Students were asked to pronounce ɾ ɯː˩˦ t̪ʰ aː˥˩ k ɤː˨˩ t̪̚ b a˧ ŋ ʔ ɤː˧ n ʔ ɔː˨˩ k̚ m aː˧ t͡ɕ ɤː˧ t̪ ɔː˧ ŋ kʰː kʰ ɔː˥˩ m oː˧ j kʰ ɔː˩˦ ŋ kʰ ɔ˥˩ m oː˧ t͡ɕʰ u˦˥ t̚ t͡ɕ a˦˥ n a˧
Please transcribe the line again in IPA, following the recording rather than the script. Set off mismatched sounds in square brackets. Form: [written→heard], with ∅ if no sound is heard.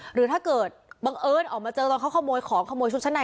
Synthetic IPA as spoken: ɾ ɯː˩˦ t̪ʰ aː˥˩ k ɤː˨˩ t̪̚ b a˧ ŋ ʔ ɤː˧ n ʔ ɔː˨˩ k̚ m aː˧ t͡ɕ ɤː˧ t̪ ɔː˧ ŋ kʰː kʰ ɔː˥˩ m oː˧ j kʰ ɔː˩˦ ŋ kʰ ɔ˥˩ m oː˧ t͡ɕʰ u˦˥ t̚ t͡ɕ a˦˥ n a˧

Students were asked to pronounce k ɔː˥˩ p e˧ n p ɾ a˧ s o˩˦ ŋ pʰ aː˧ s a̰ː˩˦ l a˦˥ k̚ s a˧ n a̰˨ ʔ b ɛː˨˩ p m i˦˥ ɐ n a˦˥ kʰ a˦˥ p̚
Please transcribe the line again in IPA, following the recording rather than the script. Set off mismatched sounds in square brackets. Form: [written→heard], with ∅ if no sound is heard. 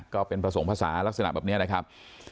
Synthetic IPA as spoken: k ɔː˥˩ p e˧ n p ɾ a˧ s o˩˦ ŋ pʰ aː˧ s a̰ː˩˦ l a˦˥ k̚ s a˧ n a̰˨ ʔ b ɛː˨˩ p [m→n] i˦˥ ɐ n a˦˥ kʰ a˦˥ p̚

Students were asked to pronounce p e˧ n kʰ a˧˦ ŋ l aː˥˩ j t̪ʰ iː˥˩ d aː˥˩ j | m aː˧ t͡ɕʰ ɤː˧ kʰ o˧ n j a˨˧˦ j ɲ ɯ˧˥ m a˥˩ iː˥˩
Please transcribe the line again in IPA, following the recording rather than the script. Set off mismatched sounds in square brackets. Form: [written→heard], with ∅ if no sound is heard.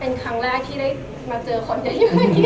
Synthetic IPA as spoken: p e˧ n kʰ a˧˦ ŋ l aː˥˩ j t̪ʰ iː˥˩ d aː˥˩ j | m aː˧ [t͡ɕʰ→t͡ɕ] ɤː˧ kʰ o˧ n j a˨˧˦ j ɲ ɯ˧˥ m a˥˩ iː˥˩

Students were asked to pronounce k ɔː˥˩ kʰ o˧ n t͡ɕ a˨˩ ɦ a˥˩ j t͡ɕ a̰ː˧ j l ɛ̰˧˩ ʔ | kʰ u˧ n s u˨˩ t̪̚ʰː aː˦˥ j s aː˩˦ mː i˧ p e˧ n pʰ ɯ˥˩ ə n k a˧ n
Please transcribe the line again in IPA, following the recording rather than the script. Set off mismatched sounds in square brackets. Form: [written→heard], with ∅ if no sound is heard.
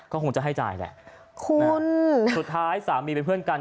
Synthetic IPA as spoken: k ɔː˥˩ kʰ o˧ [n→ŋ] t͡ɕ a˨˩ ɦ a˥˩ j t͡ɕ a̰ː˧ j l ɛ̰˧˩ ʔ | kʰ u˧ n s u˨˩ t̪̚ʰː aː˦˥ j s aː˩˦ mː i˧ p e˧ n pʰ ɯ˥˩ ə n k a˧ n

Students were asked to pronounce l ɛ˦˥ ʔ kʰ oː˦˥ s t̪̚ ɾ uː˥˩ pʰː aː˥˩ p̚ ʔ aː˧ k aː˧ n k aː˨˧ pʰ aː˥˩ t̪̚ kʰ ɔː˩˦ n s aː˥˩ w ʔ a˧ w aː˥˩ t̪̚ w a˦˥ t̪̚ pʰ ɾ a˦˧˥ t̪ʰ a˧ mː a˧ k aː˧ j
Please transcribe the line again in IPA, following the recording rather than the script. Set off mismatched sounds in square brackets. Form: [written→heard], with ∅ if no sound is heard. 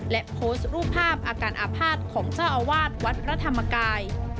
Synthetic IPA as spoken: l ɛ˦˥ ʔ [kʰ→pʰ] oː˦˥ s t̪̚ ɾ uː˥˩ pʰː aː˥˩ p̚ ʔ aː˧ k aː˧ n [k→ʔ] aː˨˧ pʰ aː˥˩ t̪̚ kʰ ɔː˩˦ [n→ŋ] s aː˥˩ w ʔ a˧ w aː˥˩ t̪̚ w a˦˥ t̪̚ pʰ ɾ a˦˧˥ t̪ʰ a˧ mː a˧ k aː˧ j

